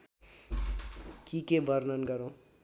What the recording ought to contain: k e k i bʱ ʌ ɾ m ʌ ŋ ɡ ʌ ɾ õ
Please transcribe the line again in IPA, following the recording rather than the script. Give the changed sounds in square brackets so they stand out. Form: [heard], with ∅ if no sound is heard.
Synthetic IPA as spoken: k [i] k [e] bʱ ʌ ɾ [n] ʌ [n] ɡ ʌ ɾ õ